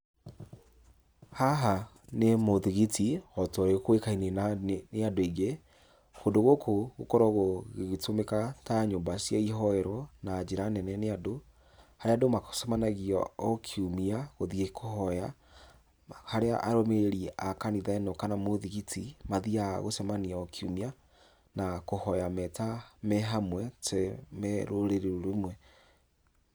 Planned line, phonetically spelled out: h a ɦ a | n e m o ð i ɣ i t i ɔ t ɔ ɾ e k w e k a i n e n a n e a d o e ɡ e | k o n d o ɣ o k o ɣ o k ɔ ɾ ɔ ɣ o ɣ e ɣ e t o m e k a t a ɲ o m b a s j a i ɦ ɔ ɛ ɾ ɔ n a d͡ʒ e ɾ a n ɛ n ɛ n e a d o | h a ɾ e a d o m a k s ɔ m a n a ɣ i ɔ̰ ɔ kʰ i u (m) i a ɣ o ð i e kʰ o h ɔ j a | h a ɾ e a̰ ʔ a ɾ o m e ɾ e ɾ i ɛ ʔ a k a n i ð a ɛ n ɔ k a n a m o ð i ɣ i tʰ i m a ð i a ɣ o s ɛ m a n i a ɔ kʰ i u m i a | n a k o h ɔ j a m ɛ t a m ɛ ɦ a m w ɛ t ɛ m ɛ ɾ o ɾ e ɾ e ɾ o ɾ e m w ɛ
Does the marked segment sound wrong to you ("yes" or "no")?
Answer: no